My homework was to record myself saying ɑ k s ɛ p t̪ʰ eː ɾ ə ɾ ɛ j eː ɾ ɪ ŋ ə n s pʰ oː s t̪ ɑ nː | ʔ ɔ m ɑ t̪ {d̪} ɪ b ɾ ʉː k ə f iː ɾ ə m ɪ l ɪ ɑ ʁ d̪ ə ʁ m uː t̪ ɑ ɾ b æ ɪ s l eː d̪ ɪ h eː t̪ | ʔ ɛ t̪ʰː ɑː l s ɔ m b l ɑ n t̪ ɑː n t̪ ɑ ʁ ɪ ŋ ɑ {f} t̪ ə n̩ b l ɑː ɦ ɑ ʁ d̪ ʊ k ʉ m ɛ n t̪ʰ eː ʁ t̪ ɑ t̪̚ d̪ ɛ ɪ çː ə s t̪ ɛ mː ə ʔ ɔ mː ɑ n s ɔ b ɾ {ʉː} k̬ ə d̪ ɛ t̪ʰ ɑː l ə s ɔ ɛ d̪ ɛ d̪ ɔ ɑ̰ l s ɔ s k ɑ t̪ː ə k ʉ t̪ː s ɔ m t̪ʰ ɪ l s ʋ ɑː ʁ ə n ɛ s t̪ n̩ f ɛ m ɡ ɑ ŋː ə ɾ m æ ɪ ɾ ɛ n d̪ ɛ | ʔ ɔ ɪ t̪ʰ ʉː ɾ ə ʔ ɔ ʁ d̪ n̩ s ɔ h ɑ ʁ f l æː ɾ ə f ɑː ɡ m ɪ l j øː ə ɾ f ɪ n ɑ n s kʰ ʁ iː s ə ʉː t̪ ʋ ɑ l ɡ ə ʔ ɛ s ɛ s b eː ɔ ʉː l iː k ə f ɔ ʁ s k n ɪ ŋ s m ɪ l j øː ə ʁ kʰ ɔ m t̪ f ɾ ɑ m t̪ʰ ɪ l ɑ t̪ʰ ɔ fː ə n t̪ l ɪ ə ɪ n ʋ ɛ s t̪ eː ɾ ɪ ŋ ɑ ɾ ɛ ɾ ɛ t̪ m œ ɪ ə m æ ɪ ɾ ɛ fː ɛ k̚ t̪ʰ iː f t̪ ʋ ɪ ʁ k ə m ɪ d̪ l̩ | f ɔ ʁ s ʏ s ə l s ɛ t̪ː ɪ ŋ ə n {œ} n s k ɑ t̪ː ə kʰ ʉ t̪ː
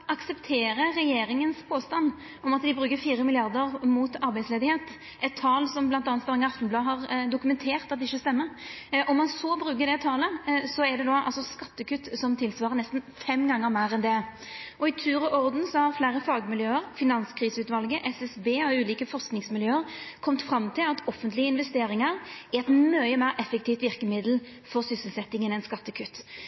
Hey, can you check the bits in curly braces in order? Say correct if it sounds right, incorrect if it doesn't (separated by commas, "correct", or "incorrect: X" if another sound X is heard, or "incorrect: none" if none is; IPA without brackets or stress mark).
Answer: correct, correct, correct, incorrect: ɛ